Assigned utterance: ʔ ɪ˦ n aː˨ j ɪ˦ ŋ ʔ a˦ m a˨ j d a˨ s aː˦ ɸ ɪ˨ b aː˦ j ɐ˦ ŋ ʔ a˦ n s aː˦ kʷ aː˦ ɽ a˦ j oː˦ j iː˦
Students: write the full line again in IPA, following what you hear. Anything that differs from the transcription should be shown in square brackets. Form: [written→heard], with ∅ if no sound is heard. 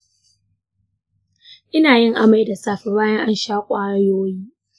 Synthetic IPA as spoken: ʔ ɪ˦ n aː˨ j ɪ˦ ŋ ʔ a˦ m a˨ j d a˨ s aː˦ ɸ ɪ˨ b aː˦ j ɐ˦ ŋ ʔ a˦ n [s→ʃ] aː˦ [kʷ→kʷʼ] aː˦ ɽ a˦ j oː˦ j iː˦

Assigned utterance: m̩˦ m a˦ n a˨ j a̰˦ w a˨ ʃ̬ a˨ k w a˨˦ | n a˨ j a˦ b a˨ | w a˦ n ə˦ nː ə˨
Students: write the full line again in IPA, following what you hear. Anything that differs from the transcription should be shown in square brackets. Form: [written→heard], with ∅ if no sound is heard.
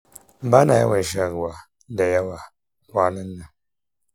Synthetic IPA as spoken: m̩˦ [m→b] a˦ n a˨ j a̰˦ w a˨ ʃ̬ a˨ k w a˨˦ | [n→d] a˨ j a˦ [b→w] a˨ | w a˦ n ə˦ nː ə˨

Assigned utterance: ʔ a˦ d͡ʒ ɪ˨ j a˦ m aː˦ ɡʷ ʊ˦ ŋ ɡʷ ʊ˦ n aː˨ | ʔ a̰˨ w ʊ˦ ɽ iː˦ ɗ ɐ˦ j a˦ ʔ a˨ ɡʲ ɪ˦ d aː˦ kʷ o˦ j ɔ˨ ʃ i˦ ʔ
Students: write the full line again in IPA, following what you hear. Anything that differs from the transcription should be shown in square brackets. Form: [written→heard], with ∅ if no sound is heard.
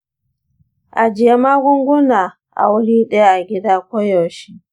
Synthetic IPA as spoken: ʔ [a˦→a˨] d͡ʒ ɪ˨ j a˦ m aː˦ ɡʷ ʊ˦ ŋ ɡʷ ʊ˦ n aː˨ | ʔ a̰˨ w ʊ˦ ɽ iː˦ ɗ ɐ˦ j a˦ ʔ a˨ ɡʲ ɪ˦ d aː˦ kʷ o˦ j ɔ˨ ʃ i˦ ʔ

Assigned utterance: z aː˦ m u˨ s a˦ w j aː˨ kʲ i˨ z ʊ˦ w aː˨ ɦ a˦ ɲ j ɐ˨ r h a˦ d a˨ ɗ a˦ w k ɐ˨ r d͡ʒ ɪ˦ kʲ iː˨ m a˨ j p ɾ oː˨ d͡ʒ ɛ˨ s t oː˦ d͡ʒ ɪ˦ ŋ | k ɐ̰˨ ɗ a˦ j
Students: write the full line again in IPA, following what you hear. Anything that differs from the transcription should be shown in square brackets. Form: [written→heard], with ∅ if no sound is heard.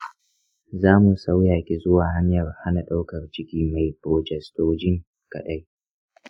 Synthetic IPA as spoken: z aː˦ m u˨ s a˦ w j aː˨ kʲ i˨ z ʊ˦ w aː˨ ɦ a˦ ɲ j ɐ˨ r h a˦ [d→n] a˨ ɗ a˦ w k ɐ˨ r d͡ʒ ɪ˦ kʲ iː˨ m a˨ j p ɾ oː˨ d͡ʒ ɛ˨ s t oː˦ d͡ʒ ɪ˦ ŋ | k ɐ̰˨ ɗ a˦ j

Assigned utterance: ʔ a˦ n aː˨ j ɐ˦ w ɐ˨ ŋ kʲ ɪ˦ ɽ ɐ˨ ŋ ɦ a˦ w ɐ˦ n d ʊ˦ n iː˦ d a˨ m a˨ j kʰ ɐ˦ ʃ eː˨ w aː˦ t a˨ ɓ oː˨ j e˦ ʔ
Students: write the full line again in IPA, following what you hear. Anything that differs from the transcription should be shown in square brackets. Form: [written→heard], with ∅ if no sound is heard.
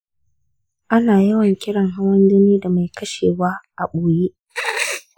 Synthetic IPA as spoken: ʔ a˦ n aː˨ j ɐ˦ w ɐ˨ ŋ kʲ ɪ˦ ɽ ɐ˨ ŋ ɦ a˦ w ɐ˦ n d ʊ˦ n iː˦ d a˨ m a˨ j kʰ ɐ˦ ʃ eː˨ w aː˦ [t→ʔ] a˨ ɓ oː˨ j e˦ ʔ

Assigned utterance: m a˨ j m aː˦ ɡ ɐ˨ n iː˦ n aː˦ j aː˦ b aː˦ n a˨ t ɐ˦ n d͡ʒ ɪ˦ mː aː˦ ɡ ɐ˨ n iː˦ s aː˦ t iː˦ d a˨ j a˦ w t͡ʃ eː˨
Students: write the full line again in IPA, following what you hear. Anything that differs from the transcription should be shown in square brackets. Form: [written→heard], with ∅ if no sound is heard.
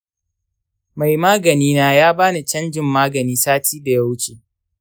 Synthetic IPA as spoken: m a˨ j m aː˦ ɡ ɐ˨ n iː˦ n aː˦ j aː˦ b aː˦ n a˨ [t→t͡ʃ] ɐ˦ n d͡ʒ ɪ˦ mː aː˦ ɡ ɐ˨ n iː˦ s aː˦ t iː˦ d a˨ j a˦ w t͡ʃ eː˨

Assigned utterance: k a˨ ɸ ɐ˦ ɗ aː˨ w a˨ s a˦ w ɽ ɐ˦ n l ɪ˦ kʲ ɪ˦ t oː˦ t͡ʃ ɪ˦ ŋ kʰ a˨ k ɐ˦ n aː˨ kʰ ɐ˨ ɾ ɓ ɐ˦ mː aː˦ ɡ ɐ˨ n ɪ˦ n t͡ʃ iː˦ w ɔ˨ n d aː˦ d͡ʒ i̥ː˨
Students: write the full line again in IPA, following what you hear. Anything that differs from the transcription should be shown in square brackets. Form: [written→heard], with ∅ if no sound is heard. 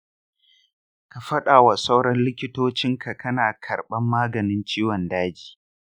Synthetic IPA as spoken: k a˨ ɸ ɐ˦ ɗ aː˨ w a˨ s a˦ w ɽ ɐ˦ n l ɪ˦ kʲ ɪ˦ t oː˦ t͡ʃ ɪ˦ ŋ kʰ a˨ k ɐ˦ n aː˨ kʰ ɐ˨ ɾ ɓ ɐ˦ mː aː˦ ɡ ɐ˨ n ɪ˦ n t͡ʃ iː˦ w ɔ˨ n d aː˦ d͡ʒ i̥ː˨

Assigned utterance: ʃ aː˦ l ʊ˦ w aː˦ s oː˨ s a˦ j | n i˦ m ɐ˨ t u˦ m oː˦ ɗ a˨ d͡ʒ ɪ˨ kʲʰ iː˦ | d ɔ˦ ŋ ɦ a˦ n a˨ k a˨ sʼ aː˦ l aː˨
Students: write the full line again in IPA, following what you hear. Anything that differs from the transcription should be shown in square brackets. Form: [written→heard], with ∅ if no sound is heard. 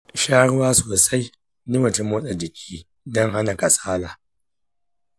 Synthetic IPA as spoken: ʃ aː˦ [l→ɽ] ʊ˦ w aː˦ s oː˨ s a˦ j | n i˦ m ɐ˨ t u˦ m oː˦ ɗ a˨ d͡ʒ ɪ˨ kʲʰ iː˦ | d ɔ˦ ŋ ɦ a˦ n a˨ k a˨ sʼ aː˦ l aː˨

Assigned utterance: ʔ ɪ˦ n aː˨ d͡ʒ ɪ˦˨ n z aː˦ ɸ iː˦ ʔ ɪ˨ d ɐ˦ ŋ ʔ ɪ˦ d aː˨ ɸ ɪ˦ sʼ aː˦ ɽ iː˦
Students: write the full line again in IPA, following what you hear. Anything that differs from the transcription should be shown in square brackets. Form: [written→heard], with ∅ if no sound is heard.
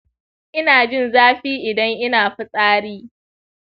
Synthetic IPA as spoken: ʔ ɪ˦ n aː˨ d͡ʒ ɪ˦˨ n z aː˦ ɸ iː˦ ʔ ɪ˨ d ɐ˦ ŋ ʔ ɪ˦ [d→n] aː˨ ɸ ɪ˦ sʼ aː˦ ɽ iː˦

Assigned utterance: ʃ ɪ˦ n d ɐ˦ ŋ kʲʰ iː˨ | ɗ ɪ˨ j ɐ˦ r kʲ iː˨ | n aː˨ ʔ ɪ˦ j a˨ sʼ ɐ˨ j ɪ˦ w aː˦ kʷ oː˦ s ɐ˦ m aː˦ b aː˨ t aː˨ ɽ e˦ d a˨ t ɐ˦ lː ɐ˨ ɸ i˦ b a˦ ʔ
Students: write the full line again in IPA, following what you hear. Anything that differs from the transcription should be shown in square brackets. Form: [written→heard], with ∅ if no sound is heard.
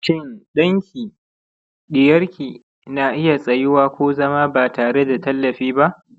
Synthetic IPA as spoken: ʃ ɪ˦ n [d→ɗ] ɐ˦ ŋ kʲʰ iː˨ | ɗ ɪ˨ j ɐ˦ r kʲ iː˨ | n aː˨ ʔ ɪ˦ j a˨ sʼ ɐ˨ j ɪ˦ w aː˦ kʷ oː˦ [s→z] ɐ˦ m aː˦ b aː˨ t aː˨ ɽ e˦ d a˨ t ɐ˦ lː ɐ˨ ɸ [i˦→iː˦] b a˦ ʔ

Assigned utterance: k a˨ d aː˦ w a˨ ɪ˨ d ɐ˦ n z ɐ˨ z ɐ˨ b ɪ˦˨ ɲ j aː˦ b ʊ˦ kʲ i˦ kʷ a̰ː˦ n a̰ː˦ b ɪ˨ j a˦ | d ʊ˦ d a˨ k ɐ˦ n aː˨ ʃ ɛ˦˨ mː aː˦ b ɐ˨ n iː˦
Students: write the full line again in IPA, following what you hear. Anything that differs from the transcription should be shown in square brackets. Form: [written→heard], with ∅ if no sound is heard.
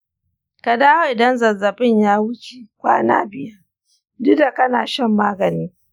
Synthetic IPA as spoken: k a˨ d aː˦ w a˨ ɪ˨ d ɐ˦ n z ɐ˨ z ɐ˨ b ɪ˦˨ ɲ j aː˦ [b→w] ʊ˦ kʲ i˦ kʷ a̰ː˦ n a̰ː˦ b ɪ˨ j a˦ | d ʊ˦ d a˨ k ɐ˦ n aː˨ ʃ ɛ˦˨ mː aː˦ [b→ɡ] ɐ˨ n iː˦

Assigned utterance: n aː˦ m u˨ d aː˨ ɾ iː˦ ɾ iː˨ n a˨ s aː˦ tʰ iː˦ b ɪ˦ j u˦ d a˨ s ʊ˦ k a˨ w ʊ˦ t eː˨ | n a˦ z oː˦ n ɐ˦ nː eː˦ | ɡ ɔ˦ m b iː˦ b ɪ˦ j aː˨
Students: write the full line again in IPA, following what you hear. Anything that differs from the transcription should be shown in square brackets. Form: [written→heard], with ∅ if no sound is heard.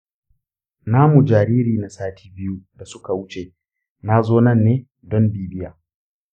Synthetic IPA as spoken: n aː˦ m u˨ [d→d͡ʒ] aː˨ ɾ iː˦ ɾ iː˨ n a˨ s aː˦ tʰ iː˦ b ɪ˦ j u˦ d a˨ s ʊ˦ k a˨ w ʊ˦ [t→t͡ʃ] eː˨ | n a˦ z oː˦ n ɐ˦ nː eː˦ | [ɡ→d] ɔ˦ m b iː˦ b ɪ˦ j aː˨

